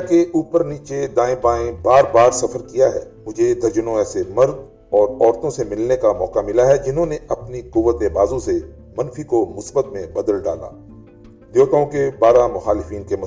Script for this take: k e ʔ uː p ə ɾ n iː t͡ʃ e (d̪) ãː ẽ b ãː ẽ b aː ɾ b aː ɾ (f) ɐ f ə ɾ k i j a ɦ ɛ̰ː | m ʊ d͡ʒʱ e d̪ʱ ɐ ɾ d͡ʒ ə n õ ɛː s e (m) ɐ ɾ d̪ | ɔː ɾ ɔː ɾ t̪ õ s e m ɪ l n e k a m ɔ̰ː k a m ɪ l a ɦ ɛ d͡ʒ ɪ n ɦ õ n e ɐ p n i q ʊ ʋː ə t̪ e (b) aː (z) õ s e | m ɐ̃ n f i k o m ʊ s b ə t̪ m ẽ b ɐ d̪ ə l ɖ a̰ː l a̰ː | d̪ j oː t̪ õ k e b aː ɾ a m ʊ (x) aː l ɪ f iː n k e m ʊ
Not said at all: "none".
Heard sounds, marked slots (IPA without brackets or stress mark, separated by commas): d̪, s, m, b, z, x